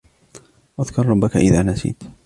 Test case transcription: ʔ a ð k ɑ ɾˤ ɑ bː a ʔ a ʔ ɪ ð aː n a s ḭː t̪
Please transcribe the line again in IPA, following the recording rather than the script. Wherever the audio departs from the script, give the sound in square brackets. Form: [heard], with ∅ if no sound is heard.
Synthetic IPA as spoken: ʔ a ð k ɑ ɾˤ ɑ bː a [k] a ʔ ɪ ð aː n a s ḭː t̪